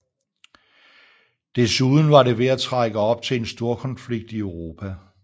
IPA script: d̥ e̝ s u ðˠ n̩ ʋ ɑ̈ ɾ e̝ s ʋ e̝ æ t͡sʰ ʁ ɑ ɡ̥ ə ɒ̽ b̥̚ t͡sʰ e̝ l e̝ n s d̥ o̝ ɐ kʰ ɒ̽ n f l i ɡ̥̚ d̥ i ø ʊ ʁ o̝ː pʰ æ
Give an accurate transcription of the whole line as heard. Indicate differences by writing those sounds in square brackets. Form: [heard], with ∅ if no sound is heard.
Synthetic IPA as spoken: d̥ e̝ s u ðˠ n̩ ʋ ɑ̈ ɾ e̝ [∅] ʋ e̝ æ t͡sʰ ʁ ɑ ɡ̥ ə ɒ̽ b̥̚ t͡sʰ e̝ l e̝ n s d̥ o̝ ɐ kʰ ɒ̽ n f l i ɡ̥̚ d̥ i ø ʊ ʁ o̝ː pʰ æ